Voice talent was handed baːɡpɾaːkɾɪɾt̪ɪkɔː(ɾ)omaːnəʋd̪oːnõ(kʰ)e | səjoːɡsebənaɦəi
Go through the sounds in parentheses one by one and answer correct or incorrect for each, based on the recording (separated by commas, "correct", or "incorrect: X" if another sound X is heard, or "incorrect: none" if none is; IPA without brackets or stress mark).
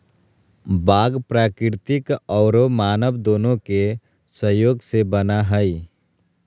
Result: correct, incorrect: k